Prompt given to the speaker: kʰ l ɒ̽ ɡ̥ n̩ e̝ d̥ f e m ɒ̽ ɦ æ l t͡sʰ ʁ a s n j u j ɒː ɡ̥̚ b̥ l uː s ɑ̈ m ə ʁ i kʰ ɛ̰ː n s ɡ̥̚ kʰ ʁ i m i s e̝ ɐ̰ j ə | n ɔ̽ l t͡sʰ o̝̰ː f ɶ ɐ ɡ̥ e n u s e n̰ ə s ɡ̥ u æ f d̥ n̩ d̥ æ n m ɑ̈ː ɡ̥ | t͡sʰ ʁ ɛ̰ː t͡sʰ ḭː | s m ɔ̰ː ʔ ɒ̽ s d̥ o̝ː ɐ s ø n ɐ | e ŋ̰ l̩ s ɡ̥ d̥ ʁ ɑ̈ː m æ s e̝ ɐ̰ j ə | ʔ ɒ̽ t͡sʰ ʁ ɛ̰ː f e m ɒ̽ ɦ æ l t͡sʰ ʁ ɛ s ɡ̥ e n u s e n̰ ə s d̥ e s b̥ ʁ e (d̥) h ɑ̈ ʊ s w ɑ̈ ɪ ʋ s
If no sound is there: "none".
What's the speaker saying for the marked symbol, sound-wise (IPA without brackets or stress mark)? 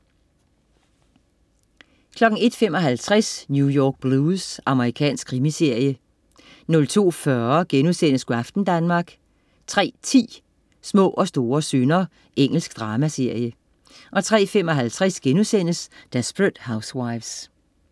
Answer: d̥